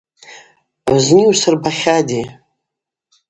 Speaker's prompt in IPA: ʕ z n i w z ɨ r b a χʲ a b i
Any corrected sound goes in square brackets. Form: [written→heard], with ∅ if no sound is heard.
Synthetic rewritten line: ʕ z n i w [z→s] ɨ r b a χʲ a [b→d] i